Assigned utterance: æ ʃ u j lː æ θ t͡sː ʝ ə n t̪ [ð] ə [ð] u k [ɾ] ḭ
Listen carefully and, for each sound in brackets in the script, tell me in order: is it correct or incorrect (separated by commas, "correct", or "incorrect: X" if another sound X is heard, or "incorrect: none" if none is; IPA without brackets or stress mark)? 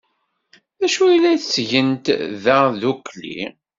correct, correct, incorrect: l